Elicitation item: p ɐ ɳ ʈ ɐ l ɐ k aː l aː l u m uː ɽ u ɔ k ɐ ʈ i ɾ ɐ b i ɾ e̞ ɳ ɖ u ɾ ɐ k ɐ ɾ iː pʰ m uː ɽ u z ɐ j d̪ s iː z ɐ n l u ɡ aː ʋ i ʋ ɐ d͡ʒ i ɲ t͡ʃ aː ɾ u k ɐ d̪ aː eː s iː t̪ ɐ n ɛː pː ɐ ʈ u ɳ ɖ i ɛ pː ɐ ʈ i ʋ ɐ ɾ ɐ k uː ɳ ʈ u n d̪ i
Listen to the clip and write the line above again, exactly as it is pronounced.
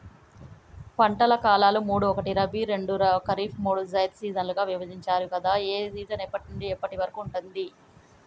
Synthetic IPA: p ɐ ɳ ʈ ɐ l ɐ k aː l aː l u m uː ɽ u ɔ k ɐ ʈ i ɾ ɐ b i ɾ e̞ ɳ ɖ u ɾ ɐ k ɐ ɾ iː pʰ m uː ɽ u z ɐ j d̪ s iː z ɐ n l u ɡ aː ʋ i ʋ ɐ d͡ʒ i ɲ t͡ʃ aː ɾ u k ɐ d̪ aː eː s iː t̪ ɐ n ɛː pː ɐ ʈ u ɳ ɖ i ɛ pː ɐ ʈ i ʋ ɐ ɾ ɐ k uː ɳ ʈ u n d̪ i